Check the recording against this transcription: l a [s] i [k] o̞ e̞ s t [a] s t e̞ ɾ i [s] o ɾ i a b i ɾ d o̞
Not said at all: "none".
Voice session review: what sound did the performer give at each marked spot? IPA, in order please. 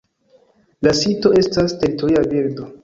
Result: s, t, a, t

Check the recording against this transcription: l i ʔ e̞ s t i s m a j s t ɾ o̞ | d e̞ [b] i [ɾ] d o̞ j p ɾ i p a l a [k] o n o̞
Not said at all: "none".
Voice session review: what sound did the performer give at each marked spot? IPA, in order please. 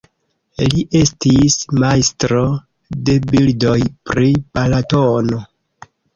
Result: b, l, t

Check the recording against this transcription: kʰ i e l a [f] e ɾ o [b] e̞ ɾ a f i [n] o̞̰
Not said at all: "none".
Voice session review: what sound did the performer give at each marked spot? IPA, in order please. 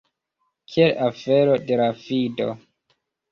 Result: f, d, d

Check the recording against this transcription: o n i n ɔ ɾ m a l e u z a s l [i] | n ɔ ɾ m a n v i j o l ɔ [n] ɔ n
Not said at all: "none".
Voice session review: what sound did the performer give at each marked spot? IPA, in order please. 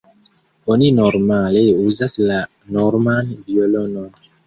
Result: a, n

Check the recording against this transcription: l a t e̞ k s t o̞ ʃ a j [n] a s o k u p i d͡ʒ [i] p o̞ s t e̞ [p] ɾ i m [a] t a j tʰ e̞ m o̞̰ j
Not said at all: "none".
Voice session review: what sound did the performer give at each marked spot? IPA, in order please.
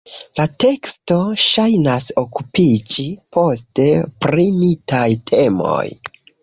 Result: n, i, p, i

